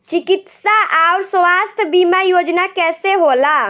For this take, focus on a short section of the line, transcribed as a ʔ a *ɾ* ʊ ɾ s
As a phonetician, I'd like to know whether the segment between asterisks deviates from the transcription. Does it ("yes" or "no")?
yes